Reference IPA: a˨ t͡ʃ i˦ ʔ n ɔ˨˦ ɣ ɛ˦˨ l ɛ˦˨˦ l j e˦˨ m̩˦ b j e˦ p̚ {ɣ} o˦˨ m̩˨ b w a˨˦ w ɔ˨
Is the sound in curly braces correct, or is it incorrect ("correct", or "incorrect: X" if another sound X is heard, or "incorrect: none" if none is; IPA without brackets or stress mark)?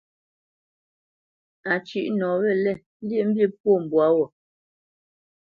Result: incorrect: w